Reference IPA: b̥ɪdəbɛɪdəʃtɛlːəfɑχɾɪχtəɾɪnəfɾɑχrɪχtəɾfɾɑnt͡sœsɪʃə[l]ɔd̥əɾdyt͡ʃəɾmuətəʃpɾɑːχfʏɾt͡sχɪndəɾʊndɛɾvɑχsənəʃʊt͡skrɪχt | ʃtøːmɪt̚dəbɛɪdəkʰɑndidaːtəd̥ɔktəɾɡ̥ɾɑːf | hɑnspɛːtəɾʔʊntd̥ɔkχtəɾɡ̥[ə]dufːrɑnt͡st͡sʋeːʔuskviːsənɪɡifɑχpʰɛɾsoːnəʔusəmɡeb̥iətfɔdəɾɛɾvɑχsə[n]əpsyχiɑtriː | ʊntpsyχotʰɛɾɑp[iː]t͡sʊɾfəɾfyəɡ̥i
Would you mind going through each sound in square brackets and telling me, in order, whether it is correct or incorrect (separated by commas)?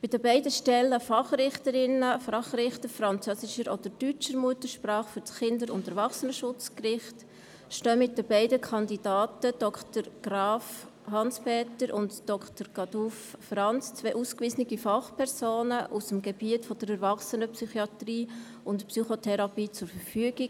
incorrect, incorrect, correct, correct